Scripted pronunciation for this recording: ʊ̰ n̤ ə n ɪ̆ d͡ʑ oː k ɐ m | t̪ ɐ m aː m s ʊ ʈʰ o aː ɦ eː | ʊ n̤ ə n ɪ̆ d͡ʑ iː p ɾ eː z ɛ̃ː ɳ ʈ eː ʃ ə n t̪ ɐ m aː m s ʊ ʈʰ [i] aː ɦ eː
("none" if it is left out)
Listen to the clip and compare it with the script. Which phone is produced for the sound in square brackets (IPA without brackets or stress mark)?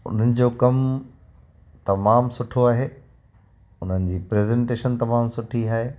i